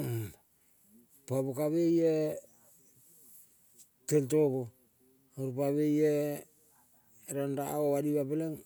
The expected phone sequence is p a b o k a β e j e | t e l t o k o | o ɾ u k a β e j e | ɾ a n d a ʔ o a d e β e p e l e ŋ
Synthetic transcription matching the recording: p a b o k a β e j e | t e l t o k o | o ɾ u p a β e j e | ɾ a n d a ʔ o a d i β a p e l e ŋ

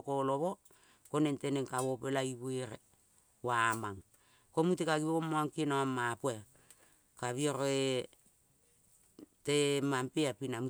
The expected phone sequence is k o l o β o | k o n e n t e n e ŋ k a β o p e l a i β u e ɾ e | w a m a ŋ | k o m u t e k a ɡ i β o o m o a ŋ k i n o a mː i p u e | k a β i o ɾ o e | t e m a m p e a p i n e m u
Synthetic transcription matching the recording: k o l o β o | k o n e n t e n e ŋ k a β o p e l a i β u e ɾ e | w a m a ŋ | k o m u t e k a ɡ i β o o m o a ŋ k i n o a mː a p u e | k a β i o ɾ o e | t e m a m p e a p i n a m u

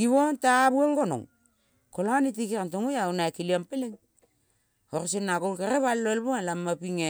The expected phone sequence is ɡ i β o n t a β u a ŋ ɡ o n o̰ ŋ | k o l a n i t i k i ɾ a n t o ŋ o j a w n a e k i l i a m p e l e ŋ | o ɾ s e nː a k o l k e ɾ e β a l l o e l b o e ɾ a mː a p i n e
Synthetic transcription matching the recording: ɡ i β o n t a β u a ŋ ɡ o n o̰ ŋ | k o l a n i t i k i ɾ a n t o ŋ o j a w n a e k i l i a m p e l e ŋ | o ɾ s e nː a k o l k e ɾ e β a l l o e l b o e l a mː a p i ŋ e

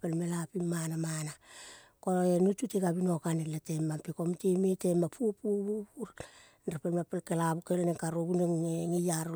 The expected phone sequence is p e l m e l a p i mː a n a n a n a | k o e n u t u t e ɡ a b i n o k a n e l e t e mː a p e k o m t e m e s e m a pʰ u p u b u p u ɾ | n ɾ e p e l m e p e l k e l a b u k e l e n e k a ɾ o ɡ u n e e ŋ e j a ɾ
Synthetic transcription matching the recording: p e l m e l a p i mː a n a m a n a | k o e n u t u t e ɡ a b i n o k a n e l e t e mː a p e k o m t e m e t e m a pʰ u p u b u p u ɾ | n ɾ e p e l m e p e l k e l a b u k e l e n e k a ɾ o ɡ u n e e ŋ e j a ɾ

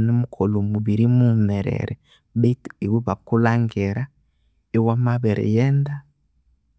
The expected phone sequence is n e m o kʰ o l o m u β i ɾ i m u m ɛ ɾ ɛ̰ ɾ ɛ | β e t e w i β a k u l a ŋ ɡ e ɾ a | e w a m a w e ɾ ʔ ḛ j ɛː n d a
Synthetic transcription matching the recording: n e m u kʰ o l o m u β i ɾ i m u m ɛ ɾ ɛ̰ ɾ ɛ | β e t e w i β a k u l a ŋ ɡ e ɾ a | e w a m a β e ɾ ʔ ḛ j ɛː n d a

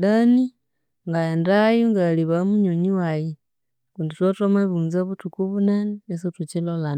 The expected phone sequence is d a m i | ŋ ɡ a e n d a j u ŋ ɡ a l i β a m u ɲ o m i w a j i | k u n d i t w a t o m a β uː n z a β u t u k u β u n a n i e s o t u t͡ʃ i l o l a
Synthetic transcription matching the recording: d a n i | ŋ ɡ a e n d a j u ŋ ɡ a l i β a m u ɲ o ɲ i w a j i | k u n d i t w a t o m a β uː n z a β u t u k u β u n a n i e s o t u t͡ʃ i l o l a

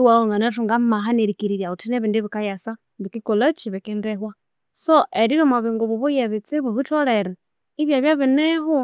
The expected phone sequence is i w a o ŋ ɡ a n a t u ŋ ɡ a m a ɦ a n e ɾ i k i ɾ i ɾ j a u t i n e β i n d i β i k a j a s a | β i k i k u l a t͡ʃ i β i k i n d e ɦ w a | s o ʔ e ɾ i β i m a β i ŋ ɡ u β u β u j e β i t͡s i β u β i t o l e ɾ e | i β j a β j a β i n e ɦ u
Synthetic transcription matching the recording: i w a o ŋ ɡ a n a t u ŋ ɡ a m a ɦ a n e ɾ i k i ɾ i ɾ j a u t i n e β i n d i β i k a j a s a | β i k i k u l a t͡ʃ i β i k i n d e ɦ w a | s o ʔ e ɾ i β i m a β i ŋ ɡ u β u β u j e β i t͡s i β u β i t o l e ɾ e | i β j a β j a β i n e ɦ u

